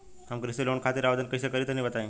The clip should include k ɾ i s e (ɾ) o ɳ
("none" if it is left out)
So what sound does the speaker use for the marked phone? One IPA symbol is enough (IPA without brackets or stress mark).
l